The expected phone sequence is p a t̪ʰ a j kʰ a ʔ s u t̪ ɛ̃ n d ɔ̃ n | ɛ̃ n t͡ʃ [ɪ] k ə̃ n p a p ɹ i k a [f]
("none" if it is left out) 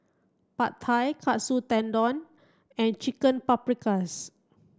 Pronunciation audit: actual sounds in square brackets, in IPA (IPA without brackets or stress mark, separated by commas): i, s